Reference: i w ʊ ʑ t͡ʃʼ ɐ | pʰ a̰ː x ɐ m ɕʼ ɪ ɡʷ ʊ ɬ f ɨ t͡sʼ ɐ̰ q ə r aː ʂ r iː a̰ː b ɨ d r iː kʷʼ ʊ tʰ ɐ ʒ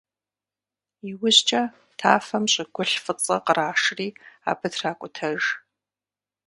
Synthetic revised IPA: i w ʊ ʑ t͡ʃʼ ɐ | tʰ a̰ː f ɐ m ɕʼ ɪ ɡʷ ʊ ɬ f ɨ t͡sʼ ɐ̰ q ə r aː ʂ r iː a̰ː b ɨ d r aː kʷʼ ʊ tʰ ɐ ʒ